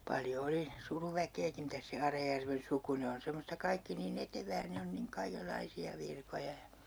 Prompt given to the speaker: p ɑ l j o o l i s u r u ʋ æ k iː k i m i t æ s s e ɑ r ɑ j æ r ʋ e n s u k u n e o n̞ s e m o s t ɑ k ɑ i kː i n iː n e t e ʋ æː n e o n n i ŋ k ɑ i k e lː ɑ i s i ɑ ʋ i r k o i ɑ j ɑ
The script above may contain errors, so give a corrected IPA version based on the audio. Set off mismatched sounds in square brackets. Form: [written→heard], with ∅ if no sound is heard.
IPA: p ɑ l j o o l i s u r u ʋ æ k [iː→eː] k i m i t æ s s e ɑ r ɑ j æ r ʋ e n s u k u n e o n̞ s e m o s t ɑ k ɑ i kː i n iː n e t e ʋ æː n e o n n i ŋ k ɑ i k e lː ɑ i s i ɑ ʋ i r k o [i→j] ɑ j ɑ